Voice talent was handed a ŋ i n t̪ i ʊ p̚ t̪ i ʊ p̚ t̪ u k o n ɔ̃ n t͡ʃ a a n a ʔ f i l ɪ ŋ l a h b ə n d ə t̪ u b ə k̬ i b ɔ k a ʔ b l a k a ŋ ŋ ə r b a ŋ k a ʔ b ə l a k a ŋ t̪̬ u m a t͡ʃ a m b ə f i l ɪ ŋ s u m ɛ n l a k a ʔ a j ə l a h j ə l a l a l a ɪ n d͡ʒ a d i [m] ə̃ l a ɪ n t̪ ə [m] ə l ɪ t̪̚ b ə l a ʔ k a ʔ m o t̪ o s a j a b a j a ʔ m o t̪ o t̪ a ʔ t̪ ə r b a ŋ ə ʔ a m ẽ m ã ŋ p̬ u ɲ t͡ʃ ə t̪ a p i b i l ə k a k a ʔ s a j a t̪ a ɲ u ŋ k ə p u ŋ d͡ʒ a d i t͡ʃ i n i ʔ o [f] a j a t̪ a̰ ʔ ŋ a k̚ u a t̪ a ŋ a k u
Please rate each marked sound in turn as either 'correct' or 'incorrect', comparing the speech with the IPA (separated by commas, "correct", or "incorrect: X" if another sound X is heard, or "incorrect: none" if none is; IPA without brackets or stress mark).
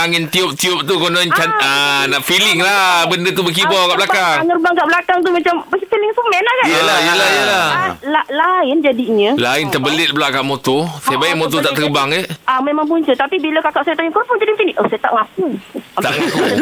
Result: incorrect: ɲ, incorrect: b, incorrect: s